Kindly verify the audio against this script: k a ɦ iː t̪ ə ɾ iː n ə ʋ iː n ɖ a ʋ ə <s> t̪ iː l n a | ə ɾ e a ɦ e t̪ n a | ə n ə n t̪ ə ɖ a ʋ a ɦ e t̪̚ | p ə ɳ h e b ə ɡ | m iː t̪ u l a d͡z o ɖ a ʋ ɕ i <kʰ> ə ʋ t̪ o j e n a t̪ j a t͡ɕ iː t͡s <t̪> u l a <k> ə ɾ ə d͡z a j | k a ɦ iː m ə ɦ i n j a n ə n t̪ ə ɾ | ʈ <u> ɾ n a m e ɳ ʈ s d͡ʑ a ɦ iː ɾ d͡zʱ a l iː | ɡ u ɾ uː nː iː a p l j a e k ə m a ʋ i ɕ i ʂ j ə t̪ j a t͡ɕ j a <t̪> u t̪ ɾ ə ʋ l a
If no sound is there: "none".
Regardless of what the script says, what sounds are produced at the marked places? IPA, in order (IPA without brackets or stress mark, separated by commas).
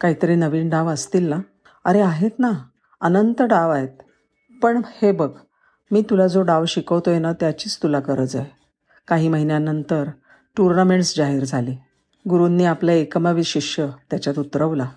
s, k, t̪, k, u, t̪